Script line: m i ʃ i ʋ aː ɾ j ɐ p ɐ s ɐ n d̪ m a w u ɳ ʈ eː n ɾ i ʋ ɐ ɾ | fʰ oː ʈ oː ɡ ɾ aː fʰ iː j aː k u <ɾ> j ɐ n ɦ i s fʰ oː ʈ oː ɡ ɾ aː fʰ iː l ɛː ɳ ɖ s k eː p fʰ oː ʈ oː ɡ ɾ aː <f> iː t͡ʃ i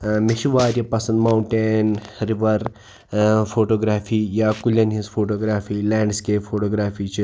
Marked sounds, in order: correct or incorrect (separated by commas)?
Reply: incorrect, correct